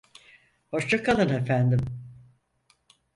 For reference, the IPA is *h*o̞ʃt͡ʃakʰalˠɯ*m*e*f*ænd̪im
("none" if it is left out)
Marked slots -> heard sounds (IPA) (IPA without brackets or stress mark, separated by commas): h, n, f